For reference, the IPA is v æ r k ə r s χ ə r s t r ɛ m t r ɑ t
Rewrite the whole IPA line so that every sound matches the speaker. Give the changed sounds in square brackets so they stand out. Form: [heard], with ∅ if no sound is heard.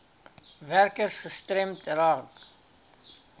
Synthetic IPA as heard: v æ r k ə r s χ ə [∅] s t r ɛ m t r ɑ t